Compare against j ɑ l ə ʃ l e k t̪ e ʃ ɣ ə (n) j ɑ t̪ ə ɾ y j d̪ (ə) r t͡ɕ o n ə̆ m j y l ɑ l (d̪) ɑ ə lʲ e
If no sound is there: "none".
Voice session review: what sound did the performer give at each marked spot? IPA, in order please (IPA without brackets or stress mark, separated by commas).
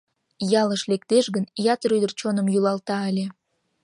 n, ə, t̪